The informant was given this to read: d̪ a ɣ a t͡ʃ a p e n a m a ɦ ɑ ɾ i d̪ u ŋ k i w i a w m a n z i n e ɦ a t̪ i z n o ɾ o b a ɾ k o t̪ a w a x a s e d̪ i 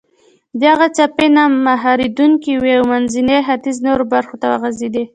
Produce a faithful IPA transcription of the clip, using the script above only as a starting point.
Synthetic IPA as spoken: d̪ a ɣ a t͡ʃ a p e n a m a ɦ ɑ ɾ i d̪ u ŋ k i w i a w m a n z i n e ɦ a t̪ i z n o ɾ o b a ɾ x o t̪ a w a ɣ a z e d̪ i